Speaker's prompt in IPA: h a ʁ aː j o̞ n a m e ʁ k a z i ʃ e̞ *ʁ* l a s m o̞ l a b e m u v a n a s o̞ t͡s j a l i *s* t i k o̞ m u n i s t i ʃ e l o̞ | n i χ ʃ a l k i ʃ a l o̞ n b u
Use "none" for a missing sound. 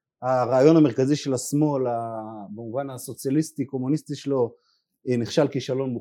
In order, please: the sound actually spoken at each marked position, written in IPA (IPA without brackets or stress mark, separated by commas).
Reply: none, s